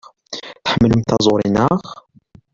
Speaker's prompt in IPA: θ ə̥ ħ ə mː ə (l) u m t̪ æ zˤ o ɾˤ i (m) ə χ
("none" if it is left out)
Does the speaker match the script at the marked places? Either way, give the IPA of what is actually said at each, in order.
l, n

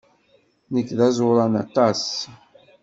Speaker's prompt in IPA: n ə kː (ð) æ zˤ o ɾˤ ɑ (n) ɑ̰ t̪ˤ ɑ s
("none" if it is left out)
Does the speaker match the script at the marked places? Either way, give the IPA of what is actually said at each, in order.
ð, n

